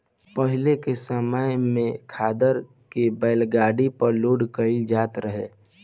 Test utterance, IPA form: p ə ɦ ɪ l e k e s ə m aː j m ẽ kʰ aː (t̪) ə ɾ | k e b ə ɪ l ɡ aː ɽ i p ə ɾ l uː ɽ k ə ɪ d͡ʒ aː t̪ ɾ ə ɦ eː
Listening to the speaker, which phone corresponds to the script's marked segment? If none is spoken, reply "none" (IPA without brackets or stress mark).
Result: d̪